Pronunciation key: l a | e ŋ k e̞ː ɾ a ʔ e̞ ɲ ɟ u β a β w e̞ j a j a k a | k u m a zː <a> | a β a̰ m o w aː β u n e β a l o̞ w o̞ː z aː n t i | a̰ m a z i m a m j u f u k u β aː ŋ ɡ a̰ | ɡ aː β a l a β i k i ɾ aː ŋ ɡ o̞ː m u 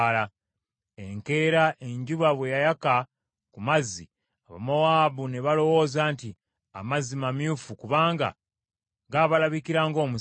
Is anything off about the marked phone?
yes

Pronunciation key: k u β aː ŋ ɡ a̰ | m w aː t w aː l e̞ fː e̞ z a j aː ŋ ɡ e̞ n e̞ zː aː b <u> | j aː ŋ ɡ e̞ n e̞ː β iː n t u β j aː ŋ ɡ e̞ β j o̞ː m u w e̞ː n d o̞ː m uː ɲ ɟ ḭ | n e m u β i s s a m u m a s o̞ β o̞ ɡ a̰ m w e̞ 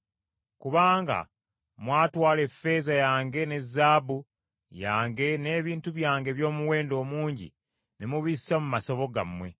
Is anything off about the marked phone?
no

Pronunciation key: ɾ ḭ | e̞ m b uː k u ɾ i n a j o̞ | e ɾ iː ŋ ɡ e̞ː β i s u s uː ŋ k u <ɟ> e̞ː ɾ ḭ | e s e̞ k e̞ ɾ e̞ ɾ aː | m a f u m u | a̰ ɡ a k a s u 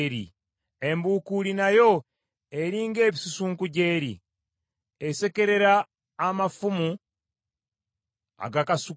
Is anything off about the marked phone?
no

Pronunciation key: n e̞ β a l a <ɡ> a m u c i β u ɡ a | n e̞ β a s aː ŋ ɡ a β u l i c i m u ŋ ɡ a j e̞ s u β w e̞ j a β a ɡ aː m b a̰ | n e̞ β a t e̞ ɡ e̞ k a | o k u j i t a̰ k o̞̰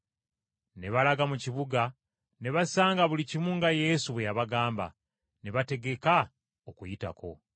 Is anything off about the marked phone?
no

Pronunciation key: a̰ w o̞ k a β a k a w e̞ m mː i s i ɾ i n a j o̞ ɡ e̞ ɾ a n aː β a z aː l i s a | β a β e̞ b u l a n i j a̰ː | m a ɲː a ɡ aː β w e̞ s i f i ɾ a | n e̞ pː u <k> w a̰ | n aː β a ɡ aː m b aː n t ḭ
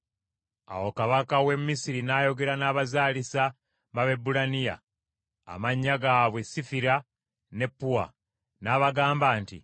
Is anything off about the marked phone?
yes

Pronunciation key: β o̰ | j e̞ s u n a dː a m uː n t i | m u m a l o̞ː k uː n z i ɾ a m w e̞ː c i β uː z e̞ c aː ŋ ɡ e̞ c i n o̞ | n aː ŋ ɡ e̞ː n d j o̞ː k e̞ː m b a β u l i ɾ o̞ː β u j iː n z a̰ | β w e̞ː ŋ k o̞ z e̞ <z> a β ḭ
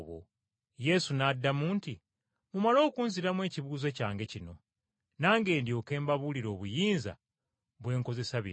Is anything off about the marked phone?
yes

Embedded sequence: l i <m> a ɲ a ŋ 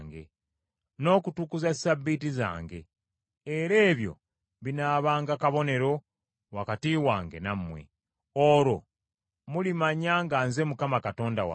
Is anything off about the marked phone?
no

